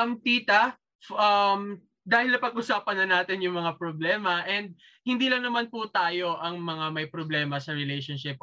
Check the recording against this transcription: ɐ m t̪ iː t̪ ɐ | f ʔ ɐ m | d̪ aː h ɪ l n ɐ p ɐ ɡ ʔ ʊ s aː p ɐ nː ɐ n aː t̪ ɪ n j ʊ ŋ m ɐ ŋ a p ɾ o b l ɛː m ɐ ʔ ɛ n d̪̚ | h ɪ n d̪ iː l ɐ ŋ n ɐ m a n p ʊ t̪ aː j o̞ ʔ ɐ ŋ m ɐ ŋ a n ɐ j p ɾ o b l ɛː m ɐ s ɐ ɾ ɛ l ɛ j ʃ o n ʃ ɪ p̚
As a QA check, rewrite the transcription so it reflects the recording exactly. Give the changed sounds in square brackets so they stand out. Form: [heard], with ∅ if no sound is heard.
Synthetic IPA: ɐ m t̪ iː t̪ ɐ | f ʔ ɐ m | d̪ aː h ɪ l n ɐ p ɐ ɡ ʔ ʊ s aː p ɐ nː ɐ n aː t̪ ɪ n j ʊ ŋ m ɐ ŋ a p ɾ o b l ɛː m ɐ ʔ ɛ n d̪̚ | h ɪ n d̪ iː l ɐ ŋ n ɐ m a n p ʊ t̪ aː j o̞ ʔ ɐ ŋ m ɐ ŋ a [m] ɐ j p ɾ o b l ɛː m ɐ s ɐ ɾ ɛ l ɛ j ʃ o n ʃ ɪ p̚